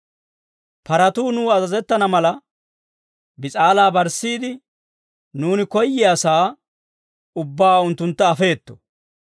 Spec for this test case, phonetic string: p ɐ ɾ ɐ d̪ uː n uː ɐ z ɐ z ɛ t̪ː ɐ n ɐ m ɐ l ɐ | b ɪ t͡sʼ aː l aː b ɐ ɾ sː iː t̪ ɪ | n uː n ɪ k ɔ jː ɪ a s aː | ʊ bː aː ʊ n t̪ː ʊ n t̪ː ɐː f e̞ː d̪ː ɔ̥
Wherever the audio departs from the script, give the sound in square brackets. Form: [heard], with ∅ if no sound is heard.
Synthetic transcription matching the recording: p ɐ ɾ ɐ [t̪] uː n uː ɐ z ɐ z ɛ t̪ː ɐ n ɐ m ɐ l ɐ | b ɪ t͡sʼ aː l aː b ɐ ɾ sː iː [d̪] ɪ | n uː n ɪ k ɔ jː ɪ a s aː | ʊ bː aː ʊ n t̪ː ʊ n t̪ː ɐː f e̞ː [t̪ː] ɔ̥